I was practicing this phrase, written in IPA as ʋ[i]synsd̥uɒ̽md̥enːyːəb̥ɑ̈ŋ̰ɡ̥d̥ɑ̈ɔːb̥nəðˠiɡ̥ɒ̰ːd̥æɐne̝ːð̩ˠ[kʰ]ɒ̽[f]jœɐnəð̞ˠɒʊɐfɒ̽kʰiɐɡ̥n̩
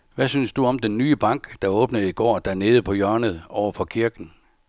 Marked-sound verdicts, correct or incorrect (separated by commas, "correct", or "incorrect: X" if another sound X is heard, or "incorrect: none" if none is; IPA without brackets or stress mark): incorrect: æ, incorrect: pʰ, incorrect: none